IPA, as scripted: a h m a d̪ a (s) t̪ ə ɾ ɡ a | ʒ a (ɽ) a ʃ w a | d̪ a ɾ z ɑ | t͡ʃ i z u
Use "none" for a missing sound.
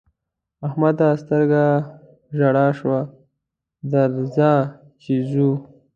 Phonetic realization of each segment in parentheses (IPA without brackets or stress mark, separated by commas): s, ɽ